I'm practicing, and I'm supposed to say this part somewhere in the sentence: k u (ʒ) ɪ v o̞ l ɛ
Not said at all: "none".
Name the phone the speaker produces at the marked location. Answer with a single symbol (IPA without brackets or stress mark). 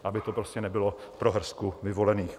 v